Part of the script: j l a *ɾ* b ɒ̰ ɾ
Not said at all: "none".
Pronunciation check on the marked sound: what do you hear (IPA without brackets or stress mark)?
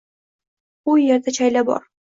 none